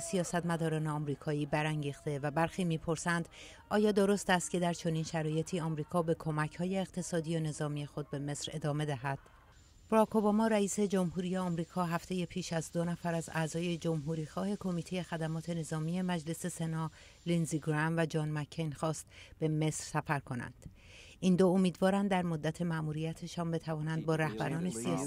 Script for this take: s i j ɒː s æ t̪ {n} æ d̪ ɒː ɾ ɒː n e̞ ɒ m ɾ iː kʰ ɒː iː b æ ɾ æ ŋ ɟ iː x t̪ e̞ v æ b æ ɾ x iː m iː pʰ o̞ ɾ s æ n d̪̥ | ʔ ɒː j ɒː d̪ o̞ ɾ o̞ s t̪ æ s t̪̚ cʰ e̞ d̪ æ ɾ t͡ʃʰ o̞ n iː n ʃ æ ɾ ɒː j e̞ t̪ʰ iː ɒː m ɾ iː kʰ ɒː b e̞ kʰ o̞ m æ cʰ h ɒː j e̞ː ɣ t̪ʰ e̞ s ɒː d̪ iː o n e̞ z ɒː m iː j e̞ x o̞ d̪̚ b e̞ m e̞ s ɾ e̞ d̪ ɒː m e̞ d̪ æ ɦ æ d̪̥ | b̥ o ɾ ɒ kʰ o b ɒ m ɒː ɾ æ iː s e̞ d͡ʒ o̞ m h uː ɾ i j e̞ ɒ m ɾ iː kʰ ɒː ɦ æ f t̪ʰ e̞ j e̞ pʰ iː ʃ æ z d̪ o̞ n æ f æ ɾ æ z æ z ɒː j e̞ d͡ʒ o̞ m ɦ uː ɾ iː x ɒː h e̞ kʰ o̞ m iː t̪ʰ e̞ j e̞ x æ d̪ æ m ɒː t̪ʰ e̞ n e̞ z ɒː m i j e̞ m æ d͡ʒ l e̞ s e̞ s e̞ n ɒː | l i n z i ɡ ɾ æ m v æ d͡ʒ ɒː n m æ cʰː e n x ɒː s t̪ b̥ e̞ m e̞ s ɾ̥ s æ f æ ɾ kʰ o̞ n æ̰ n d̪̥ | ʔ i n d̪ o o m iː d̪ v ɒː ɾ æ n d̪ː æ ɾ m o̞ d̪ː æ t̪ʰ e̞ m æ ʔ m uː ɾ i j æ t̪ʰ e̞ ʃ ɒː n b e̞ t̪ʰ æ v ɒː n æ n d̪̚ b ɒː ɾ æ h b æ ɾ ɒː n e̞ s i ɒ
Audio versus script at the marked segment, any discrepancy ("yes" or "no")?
yes